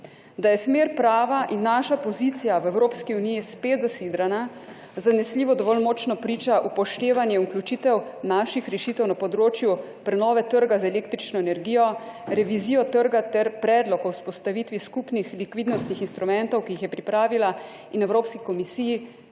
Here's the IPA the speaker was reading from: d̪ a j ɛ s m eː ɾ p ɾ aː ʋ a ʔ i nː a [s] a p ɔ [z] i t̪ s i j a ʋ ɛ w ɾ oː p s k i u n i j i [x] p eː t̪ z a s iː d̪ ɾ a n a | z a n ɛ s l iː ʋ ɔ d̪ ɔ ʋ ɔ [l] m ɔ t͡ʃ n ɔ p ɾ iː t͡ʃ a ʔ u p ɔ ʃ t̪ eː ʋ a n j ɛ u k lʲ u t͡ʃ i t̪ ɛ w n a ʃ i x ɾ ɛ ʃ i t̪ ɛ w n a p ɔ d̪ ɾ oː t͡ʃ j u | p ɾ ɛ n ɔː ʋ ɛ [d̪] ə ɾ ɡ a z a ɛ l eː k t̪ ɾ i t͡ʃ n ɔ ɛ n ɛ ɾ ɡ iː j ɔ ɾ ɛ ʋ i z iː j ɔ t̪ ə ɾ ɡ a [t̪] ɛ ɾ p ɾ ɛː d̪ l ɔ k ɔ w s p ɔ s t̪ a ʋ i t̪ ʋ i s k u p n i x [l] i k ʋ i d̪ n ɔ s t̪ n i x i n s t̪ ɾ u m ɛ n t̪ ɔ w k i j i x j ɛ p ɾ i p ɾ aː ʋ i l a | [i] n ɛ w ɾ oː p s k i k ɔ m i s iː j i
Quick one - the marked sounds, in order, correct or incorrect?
incorrect, correct, incorrect, correct, incorrect, correct, correct, correct

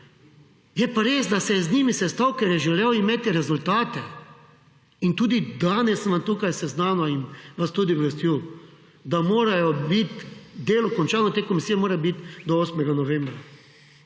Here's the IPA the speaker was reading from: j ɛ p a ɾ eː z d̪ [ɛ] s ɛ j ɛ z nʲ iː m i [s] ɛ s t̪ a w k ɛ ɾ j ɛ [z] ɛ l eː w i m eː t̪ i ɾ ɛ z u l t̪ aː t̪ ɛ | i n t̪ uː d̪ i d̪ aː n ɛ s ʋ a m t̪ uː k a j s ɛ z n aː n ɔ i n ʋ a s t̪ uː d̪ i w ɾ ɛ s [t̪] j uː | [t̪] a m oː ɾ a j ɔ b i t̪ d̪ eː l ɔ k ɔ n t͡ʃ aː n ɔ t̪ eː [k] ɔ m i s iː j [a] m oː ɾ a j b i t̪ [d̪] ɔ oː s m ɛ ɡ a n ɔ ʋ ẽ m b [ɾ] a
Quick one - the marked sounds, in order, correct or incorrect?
incorrect, correct, incorrect, correct, incorrect, correct, incorrect, correct, correct

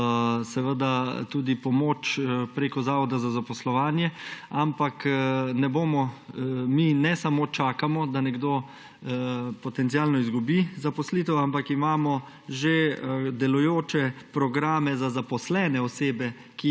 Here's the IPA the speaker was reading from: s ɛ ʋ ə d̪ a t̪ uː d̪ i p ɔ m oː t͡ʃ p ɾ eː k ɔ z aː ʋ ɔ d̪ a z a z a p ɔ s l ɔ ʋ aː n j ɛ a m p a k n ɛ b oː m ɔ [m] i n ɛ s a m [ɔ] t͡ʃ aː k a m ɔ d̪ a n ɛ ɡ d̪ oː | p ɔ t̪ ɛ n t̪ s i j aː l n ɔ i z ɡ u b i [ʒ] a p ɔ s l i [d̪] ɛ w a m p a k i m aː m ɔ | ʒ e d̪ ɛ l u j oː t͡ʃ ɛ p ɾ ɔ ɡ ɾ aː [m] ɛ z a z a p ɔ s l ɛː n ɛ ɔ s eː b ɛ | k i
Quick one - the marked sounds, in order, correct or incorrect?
correct, incorrect, incorrect, incorrect, correct

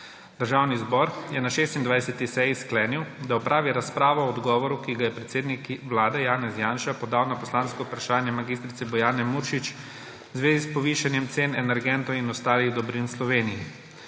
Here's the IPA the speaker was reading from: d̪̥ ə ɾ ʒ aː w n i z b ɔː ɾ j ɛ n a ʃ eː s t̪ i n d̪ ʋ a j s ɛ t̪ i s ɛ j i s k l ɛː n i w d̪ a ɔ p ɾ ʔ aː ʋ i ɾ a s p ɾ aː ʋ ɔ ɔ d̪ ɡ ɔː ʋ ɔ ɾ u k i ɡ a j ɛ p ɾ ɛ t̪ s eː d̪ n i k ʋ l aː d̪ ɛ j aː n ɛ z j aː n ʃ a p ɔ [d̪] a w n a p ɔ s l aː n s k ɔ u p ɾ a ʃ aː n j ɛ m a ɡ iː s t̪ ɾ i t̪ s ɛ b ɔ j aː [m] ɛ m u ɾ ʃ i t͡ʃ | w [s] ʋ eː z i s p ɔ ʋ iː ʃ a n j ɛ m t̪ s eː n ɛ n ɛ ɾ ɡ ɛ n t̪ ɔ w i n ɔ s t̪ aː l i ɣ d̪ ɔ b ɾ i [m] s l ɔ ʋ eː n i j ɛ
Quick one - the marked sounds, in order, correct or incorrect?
correct, incorrect, incorrect, incorrect

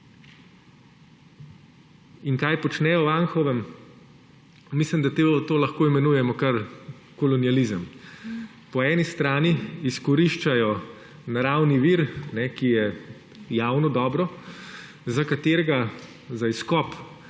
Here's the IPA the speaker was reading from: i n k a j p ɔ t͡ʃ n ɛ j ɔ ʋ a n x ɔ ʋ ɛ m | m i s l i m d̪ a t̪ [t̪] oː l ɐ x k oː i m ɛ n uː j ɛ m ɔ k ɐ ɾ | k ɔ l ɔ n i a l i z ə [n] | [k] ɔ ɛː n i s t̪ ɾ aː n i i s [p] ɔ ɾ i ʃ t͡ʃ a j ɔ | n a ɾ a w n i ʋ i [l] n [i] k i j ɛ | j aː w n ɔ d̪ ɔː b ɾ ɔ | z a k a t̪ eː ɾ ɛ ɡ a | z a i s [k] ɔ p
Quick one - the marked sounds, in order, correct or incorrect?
correct, incorrect, incorrect, incorrect, incorrect, incorrect, correct

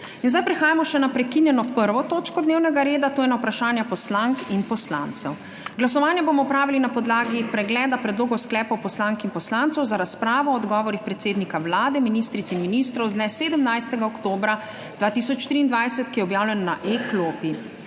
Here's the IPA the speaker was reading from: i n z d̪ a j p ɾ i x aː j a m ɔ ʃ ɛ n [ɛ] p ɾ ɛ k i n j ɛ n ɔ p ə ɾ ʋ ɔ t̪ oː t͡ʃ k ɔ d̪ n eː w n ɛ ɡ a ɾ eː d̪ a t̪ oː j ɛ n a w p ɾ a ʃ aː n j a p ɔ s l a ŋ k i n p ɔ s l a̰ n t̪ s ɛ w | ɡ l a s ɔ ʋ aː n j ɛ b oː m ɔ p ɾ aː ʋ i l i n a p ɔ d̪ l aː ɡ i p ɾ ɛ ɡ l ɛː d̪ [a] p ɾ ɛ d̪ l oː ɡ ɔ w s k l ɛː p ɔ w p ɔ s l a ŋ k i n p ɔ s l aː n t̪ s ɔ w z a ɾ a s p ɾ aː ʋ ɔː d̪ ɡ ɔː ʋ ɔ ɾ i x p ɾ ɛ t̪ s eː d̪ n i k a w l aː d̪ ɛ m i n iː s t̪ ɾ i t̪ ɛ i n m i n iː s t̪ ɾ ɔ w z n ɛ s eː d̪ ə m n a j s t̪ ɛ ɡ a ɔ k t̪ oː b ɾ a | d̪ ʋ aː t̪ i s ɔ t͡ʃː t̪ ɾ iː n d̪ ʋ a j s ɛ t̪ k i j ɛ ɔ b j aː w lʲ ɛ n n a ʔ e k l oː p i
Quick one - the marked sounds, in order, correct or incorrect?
incorrect, correct

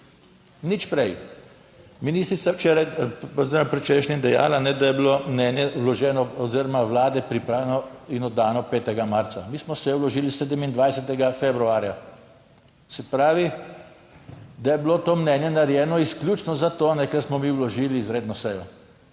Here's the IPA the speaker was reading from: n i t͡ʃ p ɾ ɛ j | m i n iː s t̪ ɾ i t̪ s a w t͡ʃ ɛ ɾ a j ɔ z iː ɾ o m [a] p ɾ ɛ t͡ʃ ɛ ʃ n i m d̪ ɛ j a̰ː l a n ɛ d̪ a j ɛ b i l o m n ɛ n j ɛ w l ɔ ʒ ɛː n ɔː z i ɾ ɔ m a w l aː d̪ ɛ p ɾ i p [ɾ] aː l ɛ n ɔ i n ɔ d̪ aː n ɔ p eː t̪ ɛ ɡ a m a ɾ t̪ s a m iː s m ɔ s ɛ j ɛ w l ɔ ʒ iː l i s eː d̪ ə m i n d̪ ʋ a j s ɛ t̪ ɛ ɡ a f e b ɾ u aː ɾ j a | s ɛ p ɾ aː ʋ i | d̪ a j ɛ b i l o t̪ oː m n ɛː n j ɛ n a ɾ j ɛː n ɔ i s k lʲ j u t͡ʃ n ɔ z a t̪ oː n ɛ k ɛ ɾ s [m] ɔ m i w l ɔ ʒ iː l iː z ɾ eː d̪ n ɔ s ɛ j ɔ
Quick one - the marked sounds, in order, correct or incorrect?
correct, correct, correct

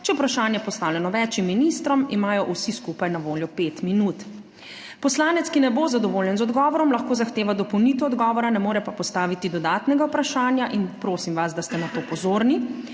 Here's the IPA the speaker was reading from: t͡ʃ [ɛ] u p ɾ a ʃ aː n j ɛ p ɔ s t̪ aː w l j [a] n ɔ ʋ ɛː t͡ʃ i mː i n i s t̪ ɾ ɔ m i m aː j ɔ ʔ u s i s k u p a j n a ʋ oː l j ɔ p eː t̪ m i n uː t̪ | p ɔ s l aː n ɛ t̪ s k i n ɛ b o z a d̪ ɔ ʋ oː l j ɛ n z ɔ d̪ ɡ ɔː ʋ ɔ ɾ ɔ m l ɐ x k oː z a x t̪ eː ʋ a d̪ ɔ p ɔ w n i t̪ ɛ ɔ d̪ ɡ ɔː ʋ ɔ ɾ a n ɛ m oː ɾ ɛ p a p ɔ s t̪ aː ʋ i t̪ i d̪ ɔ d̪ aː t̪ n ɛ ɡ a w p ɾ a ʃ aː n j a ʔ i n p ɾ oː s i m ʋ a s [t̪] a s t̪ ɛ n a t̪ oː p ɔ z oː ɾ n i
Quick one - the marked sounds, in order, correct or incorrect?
correct, incorrect, incorrect

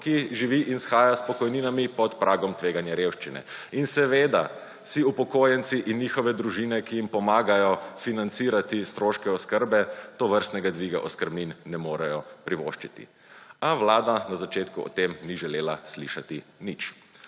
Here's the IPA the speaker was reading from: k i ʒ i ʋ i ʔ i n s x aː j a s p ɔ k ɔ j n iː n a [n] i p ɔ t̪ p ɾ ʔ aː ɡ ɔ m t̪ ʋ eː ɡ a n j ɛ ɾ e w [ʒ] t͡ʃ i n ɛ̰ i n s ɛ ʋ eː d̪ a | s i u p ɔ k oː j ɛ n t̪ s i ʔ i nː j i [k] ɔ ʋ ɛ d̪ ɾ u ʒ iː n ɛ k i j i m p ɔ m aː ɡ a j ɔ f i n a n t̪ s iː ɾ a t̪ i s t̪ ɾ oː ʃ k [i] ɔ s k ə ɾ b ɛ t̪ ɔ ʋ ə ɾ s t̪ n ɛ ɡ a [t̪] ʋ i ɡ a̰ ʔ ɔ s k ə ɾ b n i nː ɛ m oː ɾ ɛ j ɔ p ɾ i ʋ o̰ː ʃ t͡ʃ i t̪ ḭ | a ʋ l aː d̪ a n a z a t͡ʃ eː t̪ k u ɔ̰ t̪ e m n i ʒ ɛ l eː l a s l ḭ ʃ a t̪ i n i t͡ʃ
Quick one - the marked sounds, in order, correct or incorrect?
incorrect, incorrect, incorrect, incorrect, incorrect

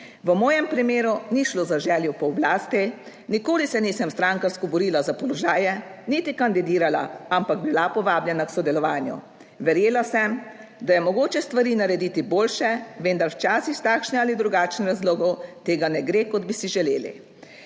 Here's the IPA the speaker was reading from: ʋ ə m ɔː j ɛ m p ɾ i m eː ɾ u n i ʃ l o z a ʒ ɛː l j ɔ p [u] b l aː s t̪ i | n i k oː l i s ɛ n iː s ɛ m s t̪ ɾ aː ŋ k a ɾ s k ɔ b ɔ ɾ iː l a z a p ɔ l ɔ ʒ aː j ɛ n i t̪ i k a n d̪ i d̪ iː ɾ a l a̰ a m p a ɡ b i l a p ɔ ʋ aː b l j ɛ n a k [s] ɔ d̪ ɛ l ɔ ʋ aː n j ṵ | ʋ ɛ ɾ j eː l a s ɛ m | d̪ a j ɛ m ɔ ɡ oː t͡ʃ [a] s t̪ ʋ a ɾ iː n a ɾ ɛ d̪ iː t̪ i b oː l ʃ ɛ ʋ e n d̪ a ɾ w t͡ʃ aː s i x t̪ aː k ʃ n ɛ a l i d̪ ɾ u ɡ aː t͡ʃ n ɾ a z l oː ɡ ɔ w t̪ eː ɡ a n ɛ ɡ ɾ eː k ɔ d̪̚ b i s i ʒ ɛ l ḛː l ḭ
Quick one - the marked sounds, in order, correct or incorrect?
incorrect, correct, incorrect

